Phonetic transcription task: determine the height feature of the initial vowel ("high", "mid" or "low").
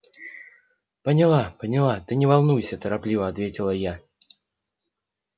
mid